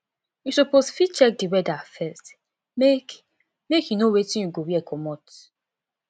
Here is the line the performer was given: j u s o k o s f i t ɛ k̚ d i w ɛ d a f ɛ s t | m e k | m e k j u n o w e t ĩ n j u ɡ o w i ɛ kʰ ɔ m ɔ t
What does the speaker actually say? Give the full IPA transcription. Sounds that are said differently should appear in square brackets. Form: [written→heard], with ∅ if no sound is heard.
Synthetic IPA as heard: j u s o [k→p] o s f i [t→t͡ʃ] ɛ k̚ d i w ɛ d a f ɛ s t | m e k | m e k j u n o w e t ĩ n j u ɡ o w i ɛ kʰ ɔ m ɔ t